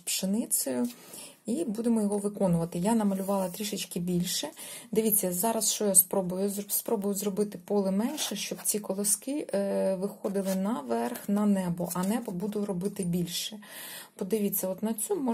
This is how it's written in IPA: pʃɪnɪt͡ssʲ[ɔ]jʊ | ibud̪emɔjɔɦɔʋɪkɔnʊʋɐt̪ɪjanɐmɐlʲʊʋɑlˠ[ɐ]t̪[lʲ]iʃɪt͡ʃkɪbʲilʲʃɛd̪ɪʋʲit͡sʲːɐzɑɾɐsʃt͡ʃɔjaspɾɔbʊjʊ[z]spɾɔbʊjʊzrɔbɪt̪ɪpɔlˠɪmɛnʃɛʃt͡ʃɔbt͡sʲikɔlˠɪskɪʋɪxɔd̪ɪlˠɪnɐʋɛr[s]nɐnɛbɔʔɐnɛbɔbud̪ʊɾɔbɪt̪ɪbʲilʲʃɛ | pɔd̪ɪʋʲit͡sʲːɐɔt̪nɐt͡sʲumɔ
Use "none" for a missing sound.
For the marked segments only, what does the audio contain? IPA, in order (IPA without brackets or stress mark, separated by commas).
ɔ, ɐ, ɾʲ, z, x